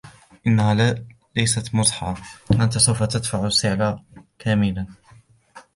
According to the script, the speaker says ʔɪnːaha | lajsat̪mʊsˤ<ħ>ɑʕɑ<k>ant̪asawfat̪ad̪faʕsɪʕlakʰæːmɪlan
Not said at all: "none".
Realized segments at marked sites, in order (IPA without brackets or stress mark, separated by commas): ħ, ʔ